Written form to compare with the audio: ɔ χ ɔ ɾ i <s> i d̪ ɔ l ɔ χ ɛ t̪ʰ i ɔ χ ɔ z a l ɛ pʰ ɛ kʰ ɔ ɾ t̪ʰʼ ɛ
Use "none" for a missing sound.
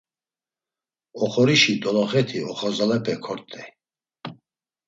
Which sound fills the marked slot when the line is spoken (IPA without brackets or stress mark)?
ʃ